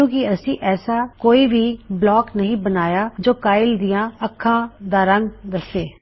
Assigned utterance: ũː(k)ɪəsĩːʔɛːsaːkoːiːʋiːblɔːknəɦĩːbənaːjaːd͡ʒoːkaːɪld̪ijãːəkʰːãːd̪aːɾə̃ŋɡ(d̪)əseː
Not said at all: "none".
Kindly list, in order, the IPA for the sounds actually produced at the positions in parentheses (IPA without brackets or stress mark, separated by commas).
k, d̪